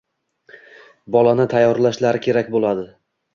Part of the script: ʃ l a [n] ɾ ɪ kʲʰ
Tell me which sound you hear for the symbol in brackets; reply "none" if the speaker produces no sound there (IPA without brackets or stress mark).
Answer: none